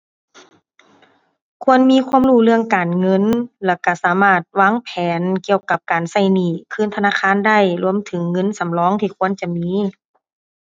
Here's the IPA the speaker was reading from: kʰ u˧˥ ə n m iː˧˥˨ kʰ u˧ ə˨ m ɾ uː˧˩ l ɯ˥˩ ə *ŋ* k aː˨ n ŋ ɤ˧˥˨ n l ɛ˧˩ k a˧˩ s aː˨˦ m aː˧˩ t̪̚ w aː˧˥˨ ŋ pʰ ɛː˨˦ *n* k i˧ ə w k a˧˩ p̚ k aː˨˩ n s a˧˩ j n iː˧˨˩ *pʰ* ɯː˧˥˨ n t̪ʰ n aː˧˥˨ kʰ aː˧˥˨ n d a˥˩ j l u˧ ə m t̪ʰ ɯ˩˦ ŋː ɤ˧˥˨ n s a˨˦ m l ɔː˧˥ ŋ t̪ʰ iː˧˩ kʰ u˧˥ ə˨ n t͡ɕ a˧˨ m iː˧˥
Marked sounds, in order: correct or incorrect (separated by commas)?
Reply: correct, correct, incorrect